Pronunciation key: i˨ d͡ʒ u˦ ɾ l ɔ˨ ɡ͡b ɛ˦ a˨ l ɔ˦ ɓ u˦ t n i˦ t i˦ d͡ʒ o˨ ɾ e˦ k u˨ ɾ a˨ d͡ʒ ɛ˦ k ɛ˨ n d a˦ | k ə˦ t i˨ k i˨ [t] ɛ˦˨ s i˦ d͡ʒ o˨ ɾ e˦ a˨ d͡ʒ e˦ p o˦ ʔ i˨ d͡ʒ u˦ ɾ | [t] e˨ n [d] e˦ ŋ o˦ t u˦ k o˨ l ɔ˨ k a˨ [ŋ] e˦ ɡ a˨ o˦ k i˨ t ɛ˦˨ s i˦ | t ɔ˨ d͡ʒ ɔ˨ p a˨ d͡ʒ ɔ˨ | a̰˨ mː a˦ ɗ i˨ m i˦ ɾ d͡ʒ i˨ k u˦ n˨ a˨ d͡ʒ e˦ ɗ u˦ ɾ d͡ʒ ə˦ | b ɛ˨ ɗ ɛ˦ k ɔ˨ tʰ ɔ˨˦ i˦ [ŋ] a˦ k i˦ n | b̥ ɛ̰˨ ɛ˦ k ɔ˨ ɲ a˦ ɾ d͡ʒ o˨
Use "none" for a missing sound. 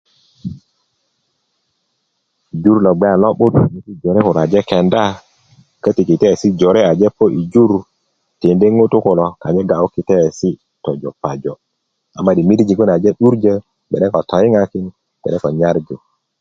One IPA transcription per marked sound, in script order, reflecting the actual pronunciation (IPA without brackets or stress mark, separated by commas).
t, t, d, ɲ, ŋ